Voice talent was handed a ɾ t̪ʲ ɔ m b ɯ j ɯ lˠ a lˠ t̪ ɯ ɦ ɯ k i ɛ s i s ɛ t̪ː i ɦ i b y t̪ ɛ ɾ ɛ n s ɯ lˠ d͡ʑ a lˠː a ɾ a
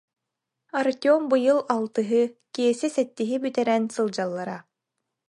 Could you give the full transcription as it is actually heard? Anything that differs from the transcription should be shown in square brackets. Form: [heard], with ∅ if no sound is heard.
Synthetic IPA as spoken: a ɾ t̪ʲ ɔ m b ɯ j ɯ lˠ a lˠ t̪ ɯ ɦ ɯ k i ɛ s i s ɛ t̪ː i ɦ i b y t̪ ɛ ɾ ɛ n s ɯ lˠ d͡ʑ a lˠː a ɾ a